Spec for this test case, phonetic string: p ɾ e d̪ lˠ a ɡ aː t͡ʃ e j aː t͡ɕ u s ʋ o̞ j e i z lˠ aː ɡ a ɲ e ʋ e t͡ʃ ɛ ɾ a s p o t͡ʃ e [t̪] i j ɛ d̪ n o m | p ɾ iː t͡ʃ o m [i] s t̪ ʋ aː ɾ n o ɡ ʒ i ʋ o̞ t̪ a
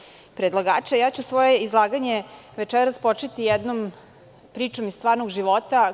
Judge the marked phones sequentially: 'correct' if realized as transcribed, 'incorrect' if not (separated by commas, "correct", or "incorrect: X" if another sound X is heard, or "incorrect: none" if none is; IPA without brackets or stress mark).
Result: correct, correct